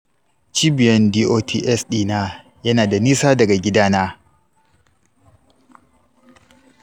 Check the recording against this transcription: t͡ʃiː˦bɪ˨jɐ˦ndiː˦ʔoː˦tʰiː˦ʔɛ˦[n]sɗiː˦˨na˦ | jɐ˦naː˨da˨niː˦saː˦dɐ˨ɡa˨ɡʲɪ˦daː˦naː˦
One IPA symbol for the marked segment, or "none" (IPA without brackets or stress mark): none